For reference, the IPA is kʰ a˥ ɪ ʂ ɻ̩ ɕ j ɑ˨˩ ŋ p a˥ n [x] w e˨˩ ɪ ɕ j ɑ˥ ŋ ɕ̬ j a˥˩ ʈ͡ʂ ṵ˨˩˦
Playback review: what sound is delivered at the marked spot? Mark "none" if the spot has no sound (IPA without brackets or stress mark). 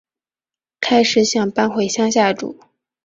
x